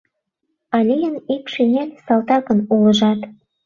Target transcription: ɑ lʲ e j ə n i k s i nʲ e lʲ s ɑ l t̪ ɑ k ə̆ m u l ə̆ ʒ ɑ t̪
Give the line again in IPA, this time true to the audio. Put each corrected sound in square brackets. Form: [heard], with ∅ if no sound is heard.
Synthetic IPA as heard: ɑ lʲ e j ə n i k [ʃ] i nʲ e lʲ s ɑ l t̪ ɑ k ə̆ [n] u l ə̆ ʒ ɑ t̪

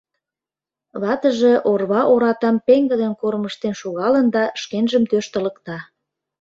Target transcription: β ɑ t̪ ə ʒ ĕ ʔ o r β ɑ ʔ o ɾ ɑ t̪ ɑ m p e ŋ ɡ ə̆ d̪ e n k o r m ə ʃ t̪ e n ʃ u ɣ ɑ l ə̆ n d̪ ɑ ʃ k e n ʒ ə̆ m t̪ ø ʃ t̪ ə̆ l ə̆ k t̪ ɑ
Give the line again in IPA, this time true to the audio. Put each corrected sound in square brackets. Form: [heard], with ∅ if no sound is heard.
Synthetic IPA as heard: β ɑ t̪ ə ʒ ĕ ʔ o r β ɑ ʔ o ɾ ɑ t̪ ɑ m p e ŋ ɡ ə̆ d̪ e n k o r m ə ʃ t̪ e n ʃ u ɣ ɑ l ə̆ n d̪ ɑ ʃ k e n ʒ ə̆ m t̪ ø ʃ t̪ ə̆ l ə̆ k t̪ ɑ

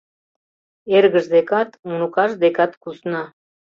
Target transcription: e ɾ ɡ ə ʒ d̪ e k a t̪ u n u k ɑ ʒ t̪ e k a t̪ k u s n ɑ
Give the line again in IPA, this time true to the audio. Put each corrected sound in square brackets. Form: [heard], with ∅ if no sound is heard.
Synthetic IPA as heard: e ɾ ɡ ə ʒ d̪ e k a t̪ u n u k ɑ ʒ [d̪] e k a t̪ k u s n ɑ

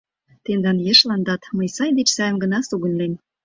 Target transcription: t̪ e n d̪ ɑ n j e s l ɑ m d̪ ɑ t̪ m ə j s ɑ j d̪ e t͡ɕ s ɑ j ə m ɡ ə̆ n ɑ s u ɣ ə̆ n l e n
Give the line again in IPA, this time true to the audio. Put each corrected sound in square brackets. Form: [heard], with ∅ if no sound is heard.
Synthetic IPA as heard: t̪ e n d̪ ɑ n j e [ʃ] l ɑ [n] d̪ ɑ t̪ m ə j s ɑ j d̪ e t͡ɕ s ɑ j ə m ɡ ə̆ n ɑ s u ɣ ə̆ n l e n

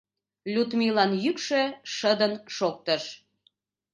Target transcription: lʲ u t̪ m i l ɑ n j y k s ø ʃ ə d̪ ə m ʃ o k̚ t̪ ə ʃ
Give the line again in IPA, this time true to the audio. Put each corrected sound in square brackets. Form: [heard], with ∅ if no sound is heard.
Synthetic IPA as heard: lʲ u t̪ m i l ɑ n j y k [ʃ] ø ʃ ə d̪ ə [n] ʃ o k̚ t̪ ə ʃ

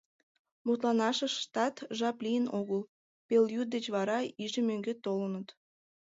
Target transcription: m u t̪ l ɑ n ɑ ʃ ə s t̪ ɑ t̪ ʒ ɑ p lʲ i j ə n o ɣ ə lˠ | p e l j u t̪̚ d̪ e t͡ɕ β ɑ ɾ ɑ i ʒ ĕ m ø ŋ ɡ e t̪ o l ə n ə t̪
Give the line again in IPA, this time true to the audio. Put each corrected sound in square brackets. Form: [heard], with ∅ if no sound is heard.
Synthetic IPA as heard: m u t̪ l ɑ n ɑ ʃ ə [ʃ] t̪ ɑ t̪ ʒ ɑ p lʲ i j ə n o ɣ ə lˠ | p e l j u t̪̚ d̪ e t͡ɕ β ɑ ɾ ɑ i ʒ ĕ m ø ŋ ɡ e t̪ o l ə n ə t̪

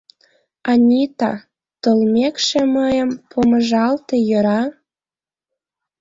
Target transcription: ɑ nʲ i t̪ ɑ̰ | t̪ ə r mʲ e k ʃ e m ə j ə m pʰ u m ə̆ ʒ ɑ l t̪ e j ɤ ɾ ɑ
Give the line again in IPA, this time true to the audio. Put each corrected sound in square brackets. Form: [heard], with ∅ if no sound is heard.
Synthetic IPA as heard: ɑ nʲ i t̪ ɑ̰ | t̪ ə [l] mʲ e k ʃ e m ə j ə m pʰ [o] m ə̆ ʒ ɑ l t̪ e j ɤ ɾ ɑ

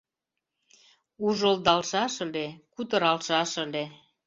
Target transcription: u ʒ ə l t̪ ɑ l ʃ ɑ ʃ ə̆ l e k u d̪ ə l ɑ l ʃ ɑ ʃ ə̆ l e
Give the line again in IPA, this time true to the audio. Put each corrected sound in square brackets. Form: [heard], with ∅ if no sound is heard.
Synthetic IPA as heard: u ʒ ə l [d̪] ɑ l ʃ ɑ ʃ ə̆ l e k u [t̪] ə [ɾ] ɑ l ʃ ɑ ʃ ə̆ l e

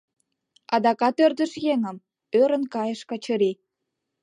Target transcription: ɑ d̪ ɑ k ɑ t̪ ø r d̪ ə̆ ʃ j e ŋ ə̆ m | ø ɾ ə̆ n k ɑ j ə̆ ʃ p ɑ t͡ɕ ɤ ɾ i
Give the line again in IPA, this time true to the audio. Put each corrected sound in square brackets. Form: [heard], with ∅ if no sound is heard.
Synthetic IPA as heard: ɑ d̪ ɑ k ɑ t̪ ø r d̪ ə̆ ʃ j e ŋ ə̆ m | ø ɾ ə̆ n k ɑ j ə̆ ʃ [k] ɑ t͡ɕ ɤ ɾ i

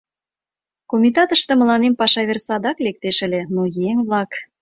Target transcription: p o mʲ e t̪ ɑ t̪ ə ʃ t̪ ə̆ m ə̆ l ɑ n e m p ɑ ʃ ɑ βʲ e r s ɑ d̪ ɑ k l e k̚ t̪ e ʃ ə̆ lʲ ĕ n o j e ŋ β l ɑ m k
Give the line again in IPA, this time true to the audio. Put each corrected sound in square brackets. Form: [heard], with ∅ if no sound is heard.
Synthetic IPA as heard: [k] o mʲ [i] t̪ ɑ t̪ ə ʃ t̪ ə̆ m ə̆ l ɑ n e m p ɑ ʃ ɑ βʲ e r s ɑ d̪ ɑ k l e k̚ t̪ e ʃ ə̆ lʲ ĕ n o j e ŋ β l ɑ [∅] k

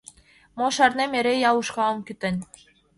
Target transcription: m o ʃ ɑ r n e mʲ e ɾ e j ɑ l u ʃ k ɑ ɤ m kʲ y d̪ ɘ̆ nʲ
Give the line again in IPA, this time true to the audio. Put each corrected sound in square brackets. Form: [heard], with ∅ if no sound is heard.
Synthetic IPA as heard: m o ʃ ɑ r n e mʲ e ɾ e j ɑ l u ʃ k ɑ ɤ m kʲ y [t̪] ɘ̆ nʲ

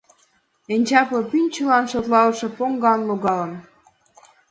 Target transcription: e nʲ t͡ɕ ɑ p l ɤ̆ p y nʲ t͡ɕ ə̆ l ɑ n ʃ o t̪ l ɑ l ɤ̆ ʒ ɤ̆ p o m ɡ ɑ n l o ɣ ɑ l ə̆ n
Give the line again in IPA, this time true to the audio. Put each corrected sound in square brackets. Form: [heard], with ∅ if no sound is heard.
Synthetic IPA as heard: e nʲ t͡ɕ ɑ p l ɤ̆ p y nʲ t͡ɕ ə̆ l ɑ n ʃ o t̪ l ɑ l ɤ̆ [ʃ] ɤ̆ p o [ŋ] ɡ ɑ n l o ɣ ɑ l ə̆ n

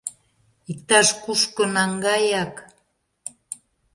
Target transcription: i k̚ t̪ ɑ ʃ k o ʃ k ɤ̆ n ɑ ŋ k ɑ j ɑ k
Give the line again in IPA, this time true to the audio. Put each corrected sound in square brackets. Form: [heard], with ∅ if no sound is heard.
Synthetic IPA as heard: i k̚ t̪ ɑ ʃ k [u] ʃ k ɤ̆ n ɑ ŋ [ɡ] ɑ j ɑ k

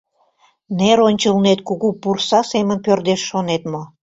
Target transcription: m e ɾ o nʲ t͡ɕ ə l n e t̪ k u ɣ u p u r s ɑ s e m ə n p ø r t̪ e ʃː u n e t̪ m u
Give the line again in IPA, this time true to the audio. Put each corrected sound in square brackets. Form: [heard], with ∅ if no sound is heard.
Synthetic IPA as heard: [n] e ɾ o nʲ t͡ɕ ə l n e t̪ k u ɣ u p u r s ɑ s e m ə n p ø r [d̪] e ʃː [o] n e t̪ m [o]

